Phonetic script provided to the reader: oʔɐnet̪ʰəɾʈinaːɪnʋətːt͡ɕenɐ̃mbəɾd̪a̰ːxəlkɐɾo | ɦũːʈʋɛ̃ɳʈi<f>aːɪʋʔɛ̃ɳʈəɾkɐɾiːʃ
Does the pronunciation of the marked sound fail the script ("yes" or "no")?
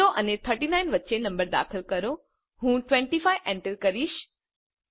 no